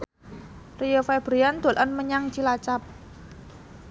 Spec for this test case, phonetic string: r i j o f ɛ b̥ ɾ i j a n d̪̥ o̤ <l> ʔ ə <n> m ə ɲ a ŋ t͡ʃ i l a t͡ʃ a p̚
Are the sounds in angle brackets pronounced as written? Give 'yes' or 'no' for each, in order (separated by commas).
yes, yes